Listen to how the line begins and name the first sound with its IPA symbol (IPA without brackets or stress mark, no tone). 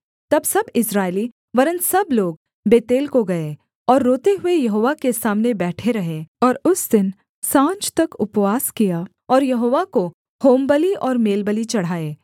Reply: t̪